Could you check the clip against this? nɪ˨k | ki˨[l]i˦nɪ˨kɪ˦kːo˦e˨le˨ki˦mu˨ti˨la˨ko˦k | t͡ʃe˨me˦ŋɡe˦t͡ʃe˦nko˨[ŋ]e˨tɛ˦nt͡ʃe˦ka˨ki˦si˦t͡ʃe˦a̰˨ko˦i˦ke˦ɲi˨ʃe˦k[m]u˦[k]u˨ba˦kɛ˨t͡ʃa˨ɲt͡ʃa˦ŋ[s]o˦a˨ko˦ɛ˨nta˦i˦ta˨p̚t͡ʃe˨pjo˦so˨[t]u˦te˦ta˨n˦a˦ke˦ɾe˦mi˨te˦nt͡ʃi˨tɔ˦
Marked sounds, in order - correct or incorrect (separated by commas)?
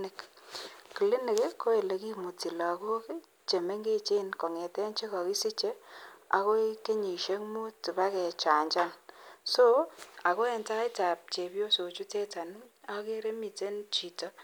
correct, correct, correct, incorrect, correct, incorrect